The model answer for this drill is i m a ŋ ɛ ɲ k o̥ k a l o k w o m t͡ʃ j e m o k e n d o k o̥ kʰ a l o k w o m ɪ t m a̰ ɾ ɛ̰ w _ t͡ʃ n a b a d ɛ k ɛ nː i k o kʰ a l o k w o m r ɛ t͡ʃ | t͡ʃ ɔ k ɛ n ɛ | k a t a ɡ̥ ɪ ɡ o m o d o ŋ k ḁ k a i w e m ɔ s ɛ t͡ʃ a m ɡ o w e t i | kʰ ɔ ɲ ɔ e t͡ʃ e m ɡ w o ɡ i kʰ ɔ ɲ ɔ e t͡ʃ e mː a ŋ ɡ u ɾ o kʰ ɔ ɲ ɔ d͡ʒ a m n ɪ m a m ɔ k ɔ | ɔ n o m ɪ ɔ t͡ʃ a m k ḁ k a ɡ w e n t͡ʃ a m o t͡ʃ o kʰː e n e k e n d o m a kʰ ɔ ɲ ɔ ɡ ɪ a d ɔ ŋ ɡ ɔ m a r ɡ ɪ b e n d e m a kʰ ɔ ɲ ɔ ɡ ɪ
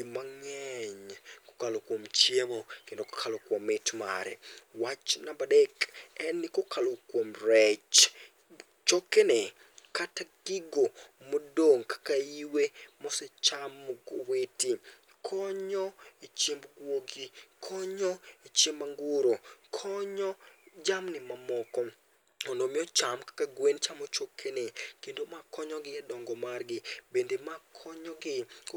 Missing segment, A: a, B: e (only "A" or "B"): A